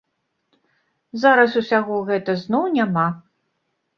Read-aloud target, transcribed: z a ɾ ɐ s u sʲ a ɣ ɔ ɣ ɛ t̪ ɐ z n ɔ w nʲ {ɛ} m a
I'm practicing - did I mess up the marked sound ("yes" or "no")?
yes